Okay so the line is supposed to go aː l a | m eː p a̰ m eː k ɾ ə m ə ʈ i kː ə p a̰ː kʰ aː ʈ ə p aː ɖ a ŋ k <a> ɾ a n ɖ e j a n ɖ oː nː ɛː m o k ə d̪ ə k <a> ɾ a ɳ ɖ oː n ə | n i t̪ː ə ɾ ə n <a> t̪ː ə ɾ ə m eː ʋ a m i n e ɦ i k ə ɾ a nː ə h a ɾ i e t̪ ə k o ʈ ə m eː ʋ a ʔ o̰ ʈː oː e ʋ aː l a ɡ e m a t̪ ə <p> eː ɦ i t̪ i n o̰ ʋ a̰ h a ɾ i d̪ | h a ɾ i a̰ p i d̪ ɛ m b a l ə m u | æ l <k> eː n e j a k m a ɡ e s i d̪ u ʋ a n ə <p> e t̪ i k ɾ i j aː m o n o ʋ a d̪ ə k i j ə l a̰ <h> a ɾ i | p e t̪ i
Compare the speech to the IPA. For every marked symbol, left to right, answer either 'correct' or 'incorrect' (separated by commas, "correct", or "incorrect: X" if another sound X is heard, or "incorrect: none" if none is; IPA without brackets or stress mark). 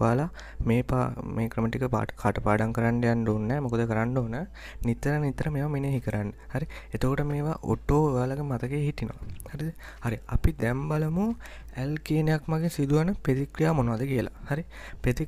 incorrect: ə, incorrect: ə, incorrect: i, incorrect: k, correct, correct, correct